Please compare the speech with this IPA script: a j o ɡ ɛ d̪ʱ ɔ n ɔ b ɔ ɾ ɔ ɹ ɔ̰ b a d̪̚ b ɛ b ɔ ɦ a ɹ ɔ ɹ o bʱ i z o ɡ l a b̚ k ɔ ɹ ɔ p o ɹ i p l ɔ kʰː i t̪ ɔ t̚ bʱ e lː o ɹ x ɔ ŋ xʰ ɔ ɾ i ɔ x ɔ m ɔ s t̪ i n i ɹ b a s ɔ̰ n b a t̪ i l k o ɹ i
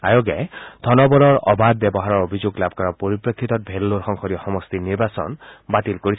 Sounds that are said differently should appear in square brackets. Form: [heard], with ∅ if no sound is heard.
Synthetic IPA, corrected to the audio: a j o ɡ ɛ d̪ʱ ɔ n ɔ b ɔ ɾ ɔ ɹ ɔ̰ b a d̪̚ b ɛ b ɔ ɦ a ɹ ɔ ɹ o bʱ i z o ɡ l a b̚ k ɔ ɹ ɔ p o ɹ i p [ɹ] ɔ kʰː i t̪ ɔ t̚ bʱ e lː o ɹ x ɔ ŋ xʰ ɔ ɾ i ɔ x ɔ m ɔ s t̪ i n i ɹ b a s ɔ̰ n b a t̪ i l k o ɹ i

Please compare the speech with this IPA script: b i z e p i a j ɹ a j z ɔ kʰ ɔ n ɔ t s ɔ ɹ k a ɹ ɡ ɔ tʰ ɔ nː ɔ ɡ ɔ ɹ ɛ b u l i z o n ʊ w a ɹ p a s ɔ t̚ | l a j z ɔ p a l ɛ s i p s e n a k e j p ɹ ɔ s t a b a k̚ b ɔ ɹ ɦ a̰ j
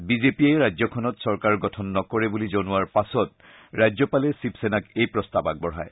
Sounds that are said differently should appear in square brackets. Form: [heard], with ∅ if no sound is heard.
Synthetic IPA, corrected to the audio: b i z e p i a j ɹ a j z ɔ kʰ ɔ n ɔ t s ɔ ɹ k a ɹ ɡ ɔ tʰ ɔ nː ɔ [k] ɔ ɹ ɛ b u l i z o n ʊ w a ɹ p a s ɔ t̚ | [ɹ] a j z ɔ p a l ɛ s i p s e n a k e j p ɹ ɔ s t a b a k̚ b ɔ ɹ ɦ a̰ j

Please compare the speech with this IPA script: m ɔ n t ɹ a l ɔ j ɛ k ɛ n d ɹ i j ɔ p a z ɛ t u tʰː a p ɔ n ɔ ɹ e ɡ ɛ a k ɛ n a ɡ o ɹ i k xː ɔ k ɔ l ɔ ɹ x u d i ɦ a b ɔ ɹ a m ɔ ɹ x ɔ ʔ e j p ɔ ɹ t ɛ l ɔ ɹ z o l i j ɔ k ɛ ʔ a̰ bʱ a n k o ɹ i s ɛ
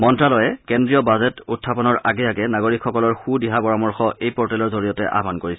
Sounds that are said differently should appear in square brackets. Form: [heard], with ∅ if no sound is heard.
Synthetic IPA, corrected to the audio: m ɔ n t ɹ a l ɔ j ɛ k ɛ n d ɹ i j ɔ [b] a z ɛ t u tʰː a p ɔ n ɔ ɹ [a] ɡ ɛ a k ɛ n a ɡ o ɹ i k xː ɔ k ɔ l ɔ ɹ x u d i ɦ a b ɔ ɹ a m ɔ ɹ x ɔ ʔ e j p ɔ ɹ t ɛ l ɔ ɹ z o [ɹ] i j ɔ [t] ɛ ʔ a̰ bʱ a n k o ɹ i s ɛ

